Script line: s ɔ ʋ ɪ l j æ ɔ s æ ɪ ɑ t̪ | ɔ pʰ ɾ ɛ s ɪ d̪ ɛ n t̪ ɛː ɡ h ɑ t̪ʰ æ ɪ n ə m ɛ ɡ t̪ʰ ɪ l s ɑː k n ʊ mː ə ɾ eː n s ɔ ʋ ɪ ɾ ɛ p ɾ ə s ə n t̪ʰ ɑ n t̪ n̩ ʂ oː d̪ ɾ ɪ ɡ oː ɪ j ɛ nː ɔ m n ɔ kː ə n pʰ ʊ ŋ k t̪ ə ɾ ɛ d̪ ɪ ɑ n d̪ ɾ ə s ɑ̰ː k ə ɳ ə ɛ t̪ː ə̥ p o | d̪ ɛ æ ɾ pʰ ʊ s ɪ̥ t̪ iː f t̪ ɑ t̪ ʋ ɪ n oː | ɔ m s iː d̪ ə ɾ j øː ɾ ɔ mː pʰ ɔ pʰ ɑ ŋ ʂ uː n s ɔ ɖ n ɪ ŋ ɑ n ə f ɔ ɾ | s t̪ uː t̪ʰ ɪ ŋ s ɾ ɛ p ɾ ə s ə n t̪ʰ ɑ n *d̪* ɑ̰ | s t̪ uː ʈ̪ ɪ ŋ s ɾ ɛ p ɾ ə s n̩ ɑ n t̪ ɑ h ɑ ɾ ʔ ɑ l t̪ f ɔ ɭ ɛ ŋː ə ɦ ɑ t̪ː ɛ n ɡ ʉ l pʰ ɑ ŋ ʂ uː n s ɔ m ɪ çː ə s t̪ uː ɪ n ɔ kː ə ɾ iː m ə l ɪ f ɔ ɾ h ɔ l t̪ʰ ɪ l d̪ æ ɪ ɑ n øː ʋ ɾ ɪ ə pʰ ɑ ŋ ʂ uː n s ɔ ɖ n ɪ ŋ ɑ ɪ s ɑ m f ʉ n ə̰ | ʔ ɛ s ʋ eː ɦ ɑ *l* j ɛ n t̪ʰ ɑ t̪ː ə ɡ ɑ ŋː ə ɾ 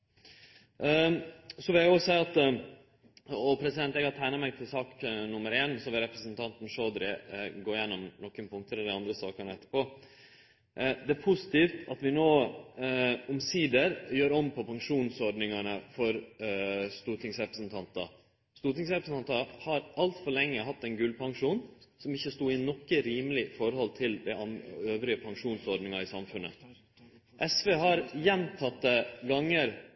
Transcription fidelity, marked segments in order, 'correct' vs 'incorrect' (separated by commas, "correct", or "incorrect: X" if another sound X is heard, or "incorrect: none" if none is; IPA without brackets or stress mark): incorrect: t̪, incorrect: ɾ